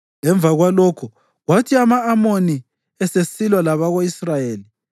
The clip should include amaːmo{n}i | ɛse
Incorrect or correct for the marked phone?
correct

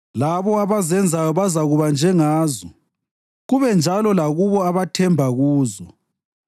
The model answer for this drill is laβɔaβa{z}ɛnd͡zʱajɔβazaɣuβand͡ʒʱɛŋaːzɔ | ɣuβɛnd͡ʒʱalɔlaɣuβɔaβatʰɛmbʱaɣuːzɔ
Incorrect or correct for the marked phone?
correct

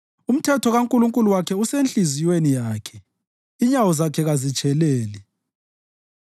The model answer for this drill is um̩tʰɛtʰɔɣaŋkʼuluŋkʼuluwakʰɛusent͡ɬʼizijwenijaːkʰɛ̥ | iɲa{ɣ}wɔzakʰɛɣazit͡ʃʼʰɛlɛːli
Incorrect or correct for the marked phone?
incorrect: none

